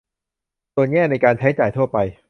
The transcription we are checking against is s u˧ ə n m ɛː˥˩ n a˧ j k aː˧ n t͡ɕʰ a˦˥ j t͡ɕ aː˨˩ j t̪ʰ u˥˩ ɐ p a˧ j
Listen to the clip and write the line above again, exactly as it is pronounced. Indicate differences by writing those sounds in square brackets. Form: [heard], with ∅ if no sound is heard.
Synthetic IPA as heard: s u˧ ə n [ŋ] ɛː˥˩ n a˧ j k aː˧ n t͡ɕʰ a˦˥ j t͡ɕ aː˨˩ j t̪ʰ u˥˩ ɐ p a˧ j